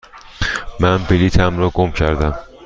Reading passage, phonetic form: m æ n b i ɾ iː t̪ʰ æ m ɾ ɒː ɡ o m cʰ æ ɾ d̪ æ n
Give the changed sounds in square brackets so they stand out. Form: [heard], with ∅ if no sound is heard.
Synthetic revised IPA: m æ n b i [l] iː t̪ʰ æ m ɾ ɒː ɡ o m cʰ æ ɾ d̪ æ [m]